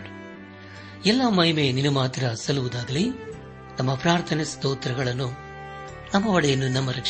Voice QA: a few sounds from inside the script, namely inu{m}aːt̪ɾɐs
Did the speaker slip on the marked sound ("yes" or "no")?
no